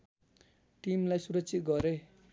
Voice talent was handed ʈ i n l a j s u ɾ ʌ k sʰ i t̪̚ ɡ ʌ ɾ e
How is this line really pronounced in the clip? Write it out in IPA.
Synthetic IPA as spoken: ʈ i m l a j s u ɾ ʌ k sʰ i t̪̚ ɡ ʌ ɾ e